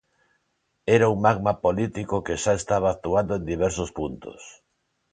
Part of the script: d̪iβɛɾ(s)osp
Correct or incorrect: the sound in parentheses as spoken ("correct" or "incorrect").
correct